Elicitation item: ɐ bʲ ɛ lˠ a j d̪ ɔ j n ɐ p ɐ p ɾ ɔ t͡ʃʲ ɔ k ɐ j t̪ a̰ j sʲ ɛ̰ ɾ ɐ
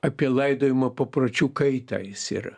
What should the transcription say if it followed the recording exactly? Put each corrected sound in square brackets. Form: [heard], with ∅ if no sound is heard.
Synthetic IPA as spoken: ɐ [pʲ] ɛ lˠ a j d̪ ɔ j [m] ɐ p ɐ p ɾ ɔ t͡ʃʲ [u] k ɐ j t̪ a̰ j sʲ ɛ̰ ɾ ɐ